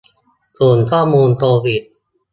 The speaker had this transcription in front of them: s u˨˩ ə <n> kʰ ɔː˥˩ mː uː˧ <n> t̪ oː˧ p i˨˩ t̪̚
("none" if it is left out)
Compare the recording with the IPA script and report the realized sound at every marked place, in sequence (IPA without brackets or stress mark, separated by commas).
n, n